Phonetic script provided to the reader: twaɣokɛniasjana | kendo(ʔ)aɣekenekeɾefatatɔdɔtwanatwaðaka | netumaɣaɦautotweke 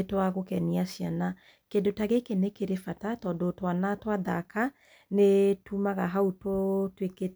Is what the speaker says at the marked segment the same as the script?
no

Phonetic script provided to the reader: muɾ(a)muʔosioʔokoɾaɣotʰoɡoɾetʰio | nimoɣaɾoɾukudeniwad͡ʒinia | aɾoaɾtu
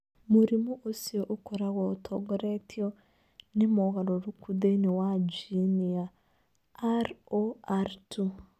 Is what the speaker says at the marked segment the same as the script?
no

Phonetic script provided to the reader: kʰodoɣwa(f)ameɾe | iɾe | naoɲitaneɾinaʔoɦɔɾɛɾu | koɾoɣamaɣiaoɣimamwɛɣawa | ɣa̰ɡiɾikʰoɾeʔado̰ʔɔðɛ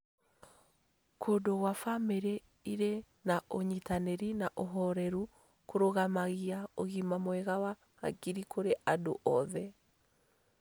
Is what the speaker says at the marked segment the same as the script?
yes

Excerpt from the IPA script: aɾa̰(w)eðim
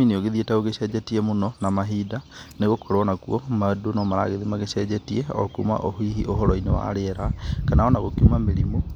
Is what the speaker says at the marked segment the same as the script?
no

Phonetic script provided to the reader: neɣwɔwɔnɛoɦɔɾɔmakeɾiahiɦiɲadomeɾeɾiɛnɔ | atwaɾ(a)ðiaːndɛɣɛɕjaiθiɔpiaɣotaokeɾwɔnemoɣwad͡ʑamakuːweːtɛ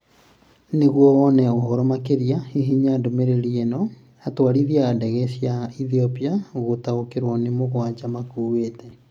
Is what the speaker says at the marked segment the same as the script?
no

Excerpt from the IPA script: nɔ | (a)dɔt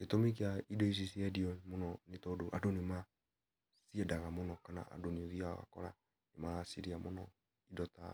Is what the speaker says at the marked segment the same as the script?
no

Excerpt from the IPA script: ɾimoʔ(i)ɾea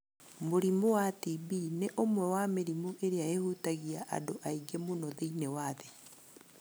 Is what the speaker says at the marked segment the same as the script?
no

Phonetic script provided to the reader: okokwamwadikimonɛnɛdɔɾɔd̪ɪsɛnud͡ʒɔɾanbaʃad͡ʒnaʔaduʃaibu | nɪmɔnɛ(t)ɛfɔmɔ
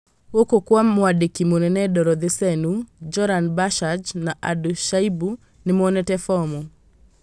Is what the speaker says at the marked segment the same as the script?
yes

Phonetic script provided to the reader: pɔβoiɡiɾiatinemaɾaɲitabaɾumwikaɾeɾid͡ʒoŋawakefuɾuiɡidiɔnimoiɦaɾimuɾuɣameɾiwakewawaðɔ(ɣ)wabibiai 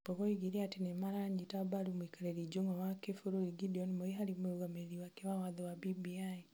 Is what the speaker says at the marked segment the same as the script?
no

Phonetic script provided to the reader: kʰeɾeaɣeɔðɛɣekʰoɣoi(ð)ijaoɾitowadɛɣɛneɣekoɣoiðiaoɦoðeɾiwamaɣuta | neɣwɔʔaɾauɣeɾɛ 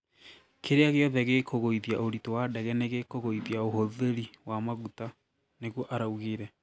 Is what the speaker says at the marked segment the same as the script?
yes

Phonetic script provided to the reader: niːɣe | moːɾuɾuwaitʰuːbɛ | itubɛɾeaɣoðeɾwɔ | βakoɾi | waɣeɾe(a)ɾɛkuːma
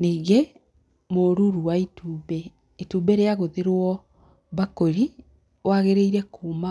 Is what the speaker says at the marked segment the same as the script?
no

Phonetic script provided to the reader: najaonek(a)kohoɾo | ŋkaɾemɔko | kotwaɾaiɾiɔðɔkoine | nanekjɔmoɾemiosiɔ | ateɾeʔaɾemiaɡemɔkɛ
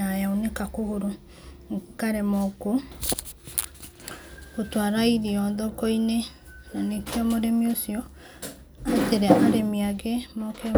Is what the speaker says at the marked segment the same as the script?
yes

